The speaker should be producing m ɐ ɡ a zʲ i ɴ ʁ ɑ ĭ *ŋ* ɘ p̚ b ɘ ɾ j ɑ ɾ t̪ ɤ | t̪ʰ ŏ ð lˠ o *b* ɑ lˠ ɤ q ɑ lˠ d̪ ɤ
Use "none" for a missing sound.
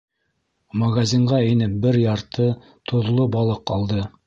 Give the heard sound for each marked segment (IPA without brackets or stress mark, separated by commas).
n, b